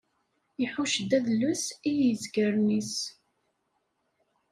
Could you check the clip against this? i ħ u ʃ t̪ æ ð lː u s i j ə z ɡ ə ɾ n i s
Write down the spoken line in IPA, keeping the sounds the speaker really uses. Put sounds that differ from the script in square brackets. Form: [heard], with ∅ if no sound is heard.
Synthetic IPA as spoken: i ħ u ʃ [d̪] æ ð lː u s i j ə z ɡ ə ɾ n i s